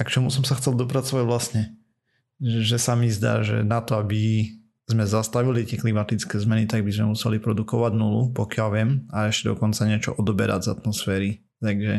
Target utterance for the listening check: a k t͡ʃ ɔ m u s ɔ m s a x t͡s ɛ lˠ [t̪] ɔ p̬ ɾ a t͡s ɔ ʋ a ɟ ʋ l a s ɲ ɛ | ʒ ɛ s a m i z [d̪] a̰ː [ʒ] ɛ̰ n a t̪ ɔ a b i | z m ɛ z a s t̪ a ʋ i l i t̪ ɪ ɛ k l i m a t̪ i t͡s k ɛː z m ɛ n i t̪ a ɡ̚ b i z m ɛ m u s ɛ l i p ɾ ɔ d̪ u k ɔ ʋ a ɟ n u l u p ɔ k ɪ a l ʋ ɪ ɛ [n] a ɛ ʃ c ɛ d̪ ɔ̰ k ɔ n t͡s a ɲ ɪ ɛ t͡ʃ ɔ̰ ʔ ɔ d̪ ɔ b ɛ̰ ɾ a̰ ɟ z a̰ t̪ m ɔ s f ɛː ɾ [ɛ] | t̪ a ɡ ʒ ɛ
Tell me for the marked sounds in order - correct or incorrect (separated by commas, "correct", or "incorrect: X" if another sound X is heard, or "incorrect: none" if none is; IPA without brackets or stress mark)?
incorrect: d̪, correct, correct, incorrect: m, incorrect: i